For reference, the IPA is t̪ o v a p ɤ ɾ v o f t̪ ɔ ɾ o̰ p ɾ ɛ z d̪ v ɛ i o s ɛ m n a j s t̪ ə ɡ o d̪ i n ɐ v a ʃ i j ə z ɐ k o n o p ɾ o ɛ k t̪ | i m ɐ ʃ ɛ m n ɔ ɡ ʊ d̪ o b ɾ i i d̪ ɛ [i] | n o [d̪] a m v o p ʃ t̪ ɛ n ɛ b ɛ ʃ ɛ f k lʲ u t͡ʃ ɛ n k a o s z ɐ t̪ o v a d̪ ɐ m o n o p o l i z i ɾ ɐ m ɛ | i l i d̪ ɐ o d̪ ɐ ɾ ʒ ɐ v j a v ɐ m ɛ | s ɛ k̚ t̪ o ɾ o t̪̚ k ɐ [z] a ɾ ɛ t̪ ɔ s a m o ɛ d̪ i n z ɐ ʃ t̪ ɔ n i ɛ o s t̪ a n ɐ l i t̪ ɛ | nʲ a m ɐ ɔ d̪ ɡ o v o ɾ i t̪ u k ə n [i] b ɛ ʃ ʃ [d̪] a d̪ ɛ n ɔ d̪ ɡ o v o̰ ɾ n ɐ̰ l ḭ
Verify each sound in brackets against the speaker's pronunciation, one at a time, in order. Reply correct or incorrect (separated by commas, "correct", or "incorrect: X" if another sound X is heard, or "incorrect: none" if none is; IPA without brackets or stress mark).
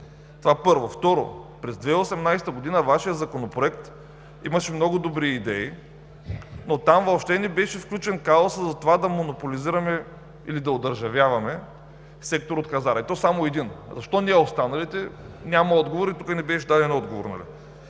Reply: correct, incorrect: t̪, correct, incorrect: ɛ, correct